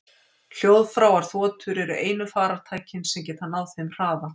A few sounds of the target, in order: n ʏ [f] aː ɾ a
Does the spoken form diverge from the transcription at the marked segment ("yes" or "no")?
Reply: no